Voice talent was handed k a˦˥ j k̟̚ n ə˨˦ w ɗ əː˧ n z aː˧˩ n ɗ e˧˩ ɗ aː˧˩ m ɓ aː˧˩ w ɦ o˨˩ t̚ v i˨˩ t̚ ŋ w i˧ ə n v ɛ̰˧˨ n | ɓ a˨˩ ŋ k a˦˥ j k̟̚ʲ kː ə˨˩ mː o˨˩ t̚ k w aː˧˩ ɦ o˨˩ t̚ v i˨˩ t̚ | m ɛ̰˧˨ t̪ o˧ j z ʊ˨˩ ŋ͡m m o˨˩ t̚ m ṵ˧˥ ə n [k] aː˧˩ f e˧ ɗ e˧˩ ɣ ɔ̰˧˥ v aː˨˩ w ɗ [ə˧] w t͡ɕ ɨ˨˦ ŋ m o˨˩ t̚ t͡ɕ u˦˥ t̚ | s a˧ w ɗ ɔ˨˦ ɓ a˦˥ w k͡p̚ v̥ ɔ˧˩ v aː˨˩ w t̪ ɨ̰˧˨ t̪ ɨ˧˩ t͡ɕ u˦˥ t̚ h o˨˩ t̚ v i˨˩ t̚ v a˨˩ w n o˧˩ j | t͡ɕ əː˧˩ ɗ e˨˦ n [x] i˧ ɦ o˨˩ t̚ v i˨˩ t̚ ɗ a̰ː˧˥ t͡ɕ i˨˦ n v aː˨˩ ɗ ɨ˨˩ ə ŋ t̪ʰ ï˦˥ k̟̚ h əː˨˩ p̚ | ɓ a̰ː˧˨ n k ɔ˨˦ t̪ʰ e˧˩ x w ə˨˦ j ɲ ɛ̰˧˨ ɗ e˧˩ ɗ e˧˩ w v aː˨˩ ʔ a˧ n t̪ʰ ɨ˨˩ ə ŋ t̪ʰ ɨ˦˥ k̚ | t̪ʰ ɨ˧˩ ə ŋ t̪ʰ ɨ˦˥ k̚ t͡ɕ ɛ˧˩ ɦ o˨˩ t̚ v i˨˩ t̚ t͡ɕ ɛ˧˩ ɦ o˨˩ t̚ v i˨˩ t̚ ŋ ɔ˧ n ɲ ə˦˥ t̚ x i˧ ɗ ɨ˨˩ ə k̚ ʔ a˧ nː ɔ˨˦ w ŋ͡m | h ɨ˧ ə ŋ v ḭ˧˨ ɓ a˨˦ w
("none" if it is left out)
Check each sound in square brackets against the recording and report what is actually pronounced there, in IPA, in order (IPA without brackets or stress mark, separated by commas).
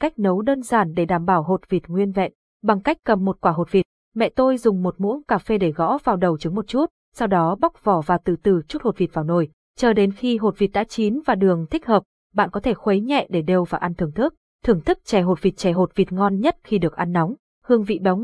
k, ə˨˩, x